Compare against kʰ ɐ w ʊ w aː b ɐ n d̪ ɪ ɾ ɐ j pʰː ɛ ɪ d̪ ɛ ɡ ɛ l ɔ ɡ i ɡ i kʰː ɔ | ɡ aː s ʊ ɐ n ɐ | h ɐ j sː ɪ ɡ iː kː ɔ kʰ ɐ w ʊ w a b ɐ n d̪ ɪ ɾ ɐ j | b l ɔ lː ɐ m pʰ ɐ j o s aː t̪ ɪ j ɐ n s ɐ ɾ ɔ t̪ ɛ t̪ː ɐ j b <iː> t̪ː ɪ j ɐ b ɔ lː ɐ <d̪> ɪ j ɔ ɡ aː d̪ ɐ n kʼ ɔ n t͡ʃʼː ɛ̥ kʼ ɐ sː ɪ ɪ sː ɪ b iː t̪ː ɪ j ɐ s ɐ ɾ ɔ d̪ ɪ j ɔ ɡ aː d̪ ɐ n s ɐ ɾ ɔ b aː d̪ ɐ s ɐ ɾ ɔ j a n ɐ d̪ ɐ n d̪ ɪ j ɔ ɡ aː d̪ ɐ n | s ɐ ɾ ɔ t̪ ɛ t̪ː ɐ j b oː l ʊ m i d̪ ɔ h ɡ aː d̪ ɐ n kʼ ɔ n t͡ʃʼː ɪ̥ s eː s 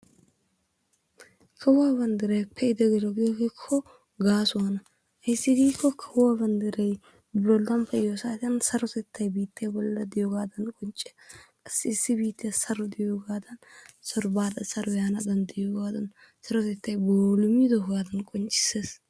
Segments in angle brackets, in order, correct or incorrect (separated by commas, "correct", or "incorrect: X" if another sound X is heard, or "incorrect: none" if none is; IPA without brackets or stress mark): correct, correct